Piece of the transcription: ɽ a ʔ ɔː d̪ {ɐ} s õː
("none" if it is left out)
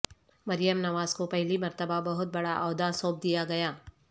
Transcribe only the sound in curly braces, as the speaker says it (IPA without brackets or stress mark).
a